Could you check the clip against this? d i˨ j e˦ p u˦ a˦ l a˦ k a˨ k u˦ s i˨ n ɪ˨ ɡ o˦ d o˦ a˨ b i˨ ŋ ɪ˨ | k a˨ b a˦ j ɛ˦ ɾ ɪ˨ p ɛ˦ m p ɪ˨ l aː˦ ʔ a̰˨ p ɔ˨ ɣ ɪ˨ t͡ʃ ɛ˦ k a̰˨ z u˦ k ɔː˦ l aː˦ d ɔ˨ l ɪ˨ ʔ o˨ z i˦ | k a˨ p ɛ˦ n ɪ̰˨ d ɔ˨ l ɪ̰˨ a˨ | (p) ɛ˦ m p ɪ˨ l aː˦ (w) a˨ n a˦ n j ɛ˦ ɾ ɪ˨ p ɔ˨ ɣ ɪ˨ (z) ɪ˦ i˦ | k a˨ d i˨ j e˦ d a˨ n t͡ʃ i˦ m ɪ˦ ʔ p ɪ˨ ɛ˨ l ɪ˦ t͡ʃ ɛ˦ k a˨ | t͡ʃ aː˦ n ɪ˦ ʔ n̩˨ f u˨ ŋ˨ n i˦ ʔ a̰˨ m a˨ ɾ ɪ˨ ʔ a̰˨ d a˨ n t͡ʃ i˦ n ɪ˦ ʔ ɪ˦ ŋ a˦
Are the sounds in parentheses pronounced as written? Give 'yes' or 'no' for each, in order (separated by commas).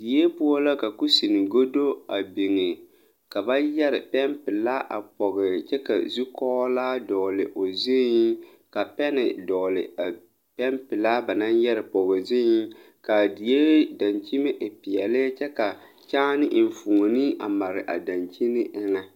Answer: yes, no, yes